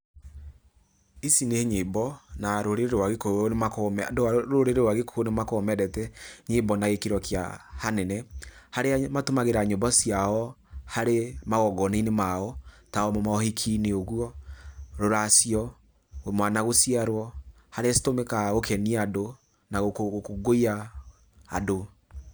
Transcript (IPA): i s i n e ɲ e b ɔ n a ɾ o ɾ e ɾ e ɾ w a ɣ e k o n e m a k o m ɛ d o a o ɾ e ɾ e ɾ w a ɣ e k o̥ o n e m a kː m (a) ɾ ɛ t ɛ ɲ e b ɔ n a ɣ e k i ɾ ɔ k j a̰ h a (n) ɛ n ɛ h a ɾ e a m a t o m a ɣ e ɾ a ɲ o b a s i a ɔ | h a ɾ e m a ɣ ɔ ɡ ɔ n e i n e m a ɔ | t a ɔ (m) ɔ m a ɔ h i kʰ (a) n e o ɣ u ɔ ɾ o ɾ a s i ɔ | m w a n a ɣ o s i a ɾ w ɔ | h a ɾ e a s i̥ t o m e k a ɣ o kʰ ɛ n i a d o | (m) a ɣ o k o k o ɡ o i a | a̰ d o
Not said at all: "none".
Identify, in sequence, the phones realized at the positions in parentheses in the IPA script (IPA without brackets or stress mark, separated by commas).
ɛ, n, m, i, n